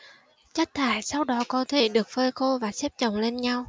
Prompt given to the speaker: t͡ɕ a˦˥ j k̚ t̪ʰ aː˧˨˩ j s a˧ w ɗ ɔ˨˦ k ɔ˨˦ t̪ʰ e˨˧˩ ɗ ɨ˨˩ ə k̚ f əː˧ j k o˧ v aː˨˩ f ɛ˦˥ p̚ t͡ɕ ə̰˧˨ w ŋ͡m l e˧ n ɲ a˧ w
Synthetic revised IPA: t͡ɕ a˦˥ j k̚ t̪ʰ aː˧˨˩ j s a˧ w ɗ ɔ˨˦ k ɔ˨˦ t̪ʰ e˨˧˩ ɗ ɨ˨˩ ə k̚ f əː˧ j x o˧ v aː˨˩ s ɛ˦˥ p̚ t͡ɕ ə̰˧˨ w ŋ͡m l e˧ n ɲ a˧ w